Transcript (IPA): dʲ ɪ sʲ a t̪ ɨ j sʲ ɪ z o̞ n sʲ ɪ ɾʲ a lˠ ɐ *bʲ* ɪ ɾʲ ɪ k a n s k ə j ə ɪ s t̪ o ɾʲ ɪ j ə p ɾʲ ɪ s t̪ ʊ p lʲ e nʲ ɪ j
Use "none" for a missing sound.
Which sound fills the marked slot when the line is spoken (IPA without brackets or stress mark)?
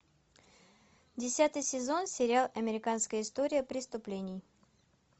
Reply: mʲ